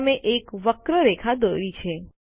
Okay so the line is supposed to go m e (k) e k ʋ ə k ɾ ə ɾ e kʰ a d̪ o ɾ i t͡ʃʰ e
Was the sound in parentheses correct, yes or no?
no